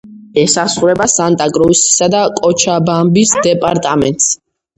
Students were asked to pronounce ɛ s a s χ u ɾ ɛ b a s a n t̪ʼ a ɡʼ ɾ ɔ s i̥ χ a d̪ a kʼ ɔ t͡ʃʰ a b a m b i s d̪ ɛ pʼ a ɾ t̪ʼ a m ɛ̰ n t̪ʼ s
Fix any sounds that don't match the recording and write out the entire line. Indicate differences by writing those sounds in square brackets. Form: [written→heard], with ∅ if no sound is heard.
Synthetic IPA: ɛ s a s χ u ɾ ɛ b a s a n t̪ʼ a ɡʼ ɾ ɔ s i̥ [χ→s] a d̪ a kʼ ɔ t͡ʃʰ a b a m b i s d̪ ɛ pʼ a ɾ t̪ʼ a m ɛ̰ n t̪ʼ s